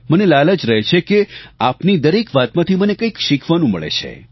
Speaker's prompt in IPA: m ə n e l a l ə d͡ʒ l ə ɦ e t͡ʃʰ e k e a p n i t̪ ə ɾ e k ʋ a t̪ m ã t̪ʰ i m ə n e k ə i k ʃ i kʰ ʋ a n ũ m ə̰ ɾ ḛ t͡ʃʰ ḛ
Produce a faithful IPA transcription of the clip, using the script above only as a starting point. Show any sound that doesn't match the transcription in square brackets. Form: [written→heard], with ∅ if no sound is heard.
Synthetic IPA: m ə n e l a l ə d͡ʒ [l→ɾ] ə ɦ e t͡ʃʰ e k e a p n i [t̪→d̪] ə ɾ e k ʋ a t̪ m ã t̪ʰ i m ə n e k ə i k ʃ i kʰ ʋ a n ũ m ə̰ [ɾ→ɭ] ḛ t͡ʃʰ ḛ